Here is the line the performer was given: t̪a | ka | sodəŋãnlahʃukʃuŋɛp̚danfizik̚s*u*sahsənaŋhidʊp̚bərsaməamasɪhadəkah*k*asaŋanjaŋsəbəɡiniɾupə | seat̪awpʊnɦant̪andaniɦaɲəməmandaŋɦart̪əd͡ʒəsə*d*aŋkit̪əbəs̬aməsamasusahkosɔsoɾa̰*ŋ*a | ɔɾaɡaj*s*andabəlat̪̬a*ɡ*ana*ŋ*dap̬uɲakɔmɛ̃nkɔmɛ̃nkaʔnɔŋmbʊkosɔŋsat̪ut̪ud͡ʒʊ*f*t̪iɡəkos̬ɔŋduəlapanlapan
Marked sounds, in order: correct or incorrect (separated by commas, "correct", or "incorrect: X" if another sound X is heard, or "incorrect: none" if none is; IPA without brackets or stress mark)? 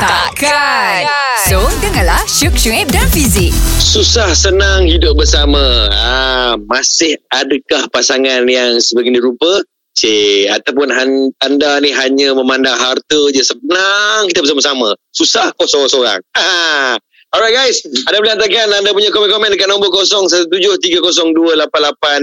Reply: correct, incorrect: p, incorrect: n, correct, correct, incorrect: k, incorrect: n, incorrect: h